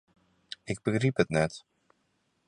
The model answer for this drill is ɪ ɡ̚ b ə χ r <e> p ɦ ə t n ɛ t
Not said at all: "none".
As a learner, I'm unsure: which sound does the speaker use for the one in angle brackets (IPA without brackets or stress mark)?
i